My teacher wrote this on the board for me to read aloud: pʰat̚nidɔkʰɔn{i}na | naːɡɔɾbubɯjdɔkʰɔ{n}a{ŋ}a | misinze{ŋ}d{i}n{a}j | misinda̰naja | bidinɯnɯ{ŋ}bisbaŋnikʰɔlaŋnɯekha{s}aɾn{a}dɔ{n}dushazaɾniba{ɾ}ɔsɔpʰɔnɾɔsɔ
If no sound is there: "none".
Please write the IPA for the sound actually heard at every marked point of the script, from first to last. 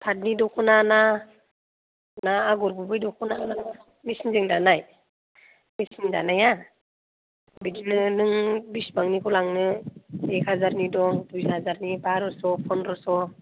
a, n, n, ŋ, a, a, ŋ, z, i, ŋ, ɾ

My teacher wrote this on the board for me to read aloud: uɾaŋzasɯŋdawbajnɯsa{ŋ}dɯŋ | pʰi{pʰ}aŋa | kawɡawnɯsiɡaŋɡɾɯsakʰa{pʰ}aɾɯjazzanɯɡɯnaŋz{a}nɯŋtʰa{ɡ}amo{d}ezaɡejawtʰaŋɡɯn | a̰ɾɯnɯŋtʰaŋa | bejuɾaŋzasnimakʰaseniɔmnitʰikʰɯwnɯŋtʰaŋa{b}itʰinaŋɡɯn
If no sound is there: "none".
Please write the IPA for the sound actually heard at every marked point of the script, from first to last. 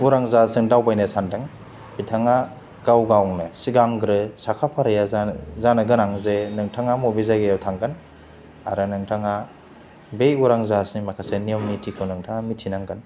n, tʰ, pʰ, e, ŋ, b, m

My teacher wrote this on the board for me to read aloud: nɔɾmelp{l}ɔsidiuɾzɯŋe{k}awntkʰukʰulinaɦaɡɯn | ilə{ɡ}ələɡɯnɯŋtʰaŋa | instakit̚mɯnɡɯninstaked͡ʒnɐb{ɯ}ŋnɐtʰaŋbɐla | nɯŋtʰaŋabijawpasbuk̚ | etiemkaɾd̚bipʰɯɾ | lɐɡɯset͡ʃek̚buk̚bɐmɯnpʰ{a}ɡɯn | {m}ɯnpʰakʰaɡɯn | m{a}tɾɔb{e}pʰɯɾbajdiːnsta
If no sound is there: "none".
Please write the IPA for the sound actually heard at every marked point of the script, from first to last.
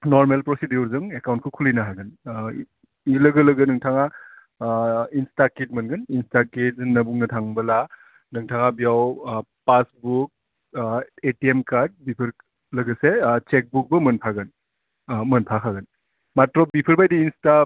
ɾ, k, ɡ, u, a, m, a, i

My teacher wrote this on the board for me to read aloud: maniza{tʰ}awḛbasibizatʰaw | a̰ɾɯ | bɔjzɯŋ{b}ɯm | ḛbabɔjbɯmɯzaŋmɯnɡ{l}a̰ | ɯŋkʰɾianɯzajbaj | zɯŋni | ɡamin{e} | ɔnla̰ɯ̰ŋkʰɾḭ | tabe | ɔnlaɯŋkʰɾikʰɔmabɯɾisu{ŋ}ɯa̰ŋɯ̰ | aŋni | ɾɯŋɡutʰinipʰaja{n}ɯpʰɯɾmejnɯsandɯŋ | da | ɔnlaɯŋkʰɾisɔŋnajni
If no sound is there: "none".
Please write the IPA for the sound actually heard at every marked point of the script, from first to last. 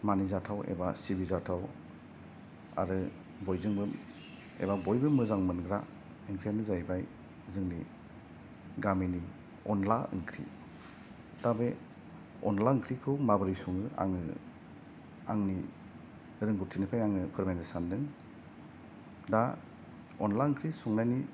tʰ, b, ɾ, i, ŋ, ŋ

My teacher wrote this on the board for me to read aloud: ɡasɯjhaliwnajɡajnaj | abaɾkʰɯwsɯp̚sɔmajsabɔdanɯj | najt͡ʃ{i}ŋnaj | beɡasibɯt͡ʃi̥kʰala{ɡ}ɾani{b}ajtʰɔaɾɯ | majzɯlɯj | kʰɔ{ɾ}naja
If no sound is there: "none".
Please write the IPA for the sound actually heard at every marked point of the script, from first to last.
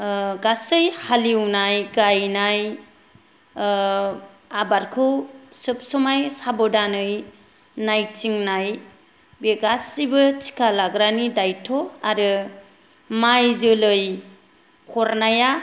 i, ɡ, d, ɾ

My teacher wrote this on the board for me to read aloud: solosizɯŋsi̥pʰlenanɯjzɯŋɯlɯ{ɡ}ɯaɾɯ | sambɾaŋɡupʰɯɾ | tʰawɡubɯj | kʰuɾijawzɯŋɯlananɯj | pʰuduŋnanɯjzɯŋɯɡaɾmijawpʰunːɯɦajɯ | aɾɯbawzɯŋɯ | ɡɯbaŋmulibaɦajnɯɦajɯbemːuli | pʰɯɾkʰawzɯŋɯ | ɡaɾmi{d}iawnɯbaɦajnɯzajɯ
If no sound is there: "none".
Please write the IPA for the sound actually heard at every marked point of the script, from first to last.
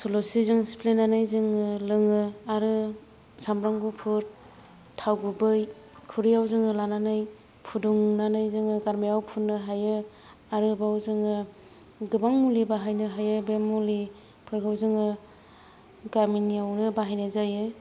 ŋ, n

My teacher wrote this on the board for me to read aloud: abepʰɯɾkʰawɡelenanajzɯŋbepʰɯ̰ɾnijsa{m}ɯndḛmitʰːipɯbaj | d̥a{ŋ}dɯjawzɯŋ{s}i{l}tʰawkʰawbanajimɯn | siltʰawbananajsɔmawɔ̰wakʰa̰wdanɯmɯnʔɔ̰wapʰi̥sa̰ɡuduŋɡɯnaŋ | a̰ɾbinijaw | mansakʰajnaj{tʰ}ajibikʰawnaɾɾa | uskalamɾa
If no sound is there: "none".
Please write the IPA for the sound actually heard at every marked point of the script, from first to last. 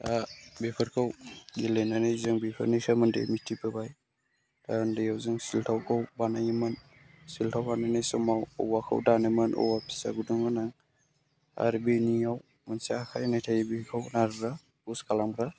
m, n, s, l, tʰ

